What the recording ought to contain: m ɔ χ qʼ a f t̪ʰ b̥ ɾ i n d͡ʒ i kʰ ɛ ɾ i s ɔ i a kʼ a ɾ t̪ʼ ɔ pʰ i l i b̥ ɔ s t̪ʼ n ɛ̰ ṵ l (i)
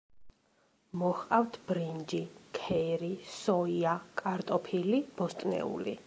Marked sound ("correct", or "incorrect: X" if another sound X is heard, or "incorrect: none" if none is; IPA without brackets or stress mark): correct